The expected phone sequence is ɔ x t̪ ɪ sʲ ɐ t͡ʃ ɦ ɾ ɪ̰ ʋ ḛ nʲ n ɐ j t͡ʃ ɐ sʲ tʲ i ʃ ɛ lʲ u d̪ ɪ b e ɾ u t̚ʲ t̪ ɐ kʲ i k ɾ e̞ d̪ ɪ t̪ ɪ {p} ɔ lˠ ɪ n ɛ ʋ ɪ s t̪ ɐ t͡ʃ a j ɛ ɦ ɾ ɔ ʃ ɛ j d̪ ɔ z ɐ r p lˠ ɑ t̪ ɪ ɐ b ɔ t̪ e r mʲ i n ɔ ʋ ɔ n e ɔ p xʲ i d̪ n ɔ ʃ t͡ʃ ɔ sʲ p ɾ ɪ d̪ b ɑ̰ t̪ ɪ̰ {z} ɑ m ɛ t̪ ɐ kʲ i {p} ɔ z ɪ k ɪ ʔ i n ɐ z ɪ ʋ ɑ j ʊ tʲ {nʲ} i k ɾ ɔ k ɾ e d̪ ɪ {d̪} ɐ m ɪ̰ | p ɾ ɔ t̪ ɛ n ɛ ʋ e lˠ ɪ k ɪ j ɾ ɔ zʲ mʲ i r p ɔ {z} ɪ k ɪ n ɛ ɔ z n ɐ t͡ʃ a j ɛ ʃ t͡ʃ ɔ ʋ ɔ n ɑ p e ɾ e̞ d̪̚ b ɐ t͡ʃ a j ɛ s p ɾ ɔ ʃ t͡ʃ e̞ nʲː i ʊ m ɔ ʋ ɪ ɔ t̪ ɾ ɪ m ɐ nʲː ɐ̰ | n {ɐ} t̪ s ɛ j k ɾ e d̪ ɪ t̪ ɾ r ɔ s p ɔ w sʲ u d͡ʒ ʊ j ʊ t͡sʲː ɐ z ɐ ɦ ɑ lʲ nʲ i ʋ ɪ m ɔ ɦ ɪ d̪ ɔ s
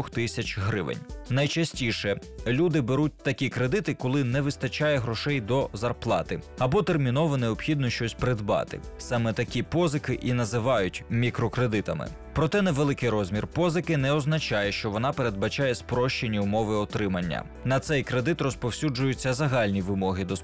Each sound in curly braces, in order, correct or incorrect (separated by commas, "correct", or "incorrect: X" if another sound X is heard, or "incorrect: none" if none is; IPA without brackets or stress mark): incorrect: k, incorrect: s, correct, incorrect: mʲ, incorrect: t̪, correct, correct